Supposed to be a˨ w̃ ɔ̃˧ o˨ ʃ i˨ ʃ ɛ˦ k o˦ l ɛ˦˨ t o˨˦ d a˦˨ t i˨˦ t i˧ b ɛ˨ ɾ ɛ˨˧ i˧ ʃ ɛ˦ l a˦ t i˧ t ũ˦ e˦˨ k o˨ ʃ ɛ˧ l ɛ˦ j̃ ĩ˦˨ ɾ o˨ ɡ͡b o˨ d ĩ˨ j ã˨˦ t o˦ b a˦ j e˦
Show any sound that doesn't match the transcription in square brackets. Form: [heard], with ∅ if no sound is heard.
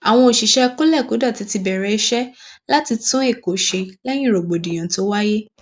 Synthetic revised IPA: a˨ w̃ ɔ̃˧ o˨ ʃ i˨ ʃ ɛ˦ k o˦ l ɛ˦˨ [k] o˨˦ d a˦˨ t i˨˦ t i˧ b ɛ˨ ɾ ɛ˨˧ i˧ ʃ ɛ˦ l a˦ t i˧ t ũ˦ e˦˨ k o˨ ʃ [e˧] l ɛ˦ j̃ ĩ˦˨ ɾ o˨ ɡ͡b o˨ d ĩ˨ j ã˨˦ t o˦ [w] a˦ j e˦